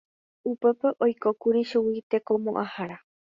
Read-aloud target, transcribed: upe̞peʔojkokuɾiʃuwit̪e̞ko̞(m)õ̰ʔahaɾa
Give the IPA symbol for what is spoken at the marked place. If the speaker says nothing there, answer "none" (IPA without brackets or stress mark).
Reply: m